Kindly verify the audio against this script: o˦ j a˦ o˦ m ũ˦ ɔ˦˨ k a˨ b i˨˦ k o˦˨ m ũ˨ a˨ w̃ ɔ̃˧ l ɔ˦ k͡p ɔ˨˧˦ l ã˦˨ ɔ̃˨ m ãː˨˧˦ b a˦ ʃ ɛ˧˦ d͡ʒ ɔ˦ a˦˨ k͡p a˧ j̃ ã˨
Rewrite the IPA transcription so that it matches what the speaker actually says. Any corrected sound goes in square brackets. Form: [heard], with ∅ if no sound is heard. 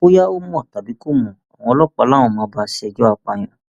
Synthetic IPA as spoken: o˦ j a˦ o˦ m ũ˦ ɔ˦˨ [t] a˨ b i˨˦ k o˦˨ m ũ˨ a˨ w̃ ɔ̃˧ l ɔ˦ k͡p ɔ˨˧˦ l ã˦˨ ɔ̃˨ m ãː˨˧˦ b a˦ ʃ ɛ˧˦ d͡ʒ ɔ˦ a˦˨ k͡p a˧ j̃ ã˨